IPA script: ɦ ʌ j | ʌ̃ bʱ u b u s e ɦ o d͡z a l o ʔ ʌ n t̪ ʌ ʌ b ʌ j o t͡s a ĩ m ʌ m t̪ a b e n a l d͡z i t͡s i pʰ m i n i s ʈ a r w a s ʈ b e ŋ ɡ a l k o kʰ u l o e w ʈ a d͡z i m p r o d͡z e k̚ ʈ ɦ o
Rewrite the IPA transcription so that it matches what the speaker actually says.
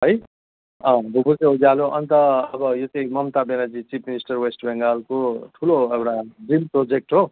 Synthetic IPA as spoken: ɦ ʌ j | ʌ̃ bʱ u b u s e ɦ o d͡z a l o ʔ ʌ n t̪ ʌ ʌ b ʌ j o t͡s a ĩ m ʌ m t̪ a b e n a d͡z i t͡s i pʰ m i n i s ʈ ʌ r w e s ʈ b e ŋ ɡ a l k o ʈʰ u l o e w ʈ a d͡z i m p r o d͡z e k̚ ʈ ɦ o